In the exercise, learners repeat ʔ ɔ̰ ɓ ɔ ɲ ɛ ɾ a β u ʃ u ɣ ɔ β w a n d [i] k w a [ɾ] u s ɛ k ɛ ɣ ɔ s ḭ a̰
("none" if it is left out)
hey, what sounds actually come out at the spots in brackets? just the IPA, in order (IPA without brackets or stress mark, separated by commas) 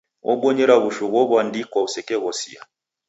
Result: i, none